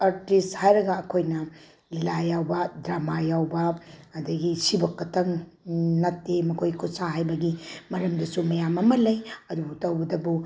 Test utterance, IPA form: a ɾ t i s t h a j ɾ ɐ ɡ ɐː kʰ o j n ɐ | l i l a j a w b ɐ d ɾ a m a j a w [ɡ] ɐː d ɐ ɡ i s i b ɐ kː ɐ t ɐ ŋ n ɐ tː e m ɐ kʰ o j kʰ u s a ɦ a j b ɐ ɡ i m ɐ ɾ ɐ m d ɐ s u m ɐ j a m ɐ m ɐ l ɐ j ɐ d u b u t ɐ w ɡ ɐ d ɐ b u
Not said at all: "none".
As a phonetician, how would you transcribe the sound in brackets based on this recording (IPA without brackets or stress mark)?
b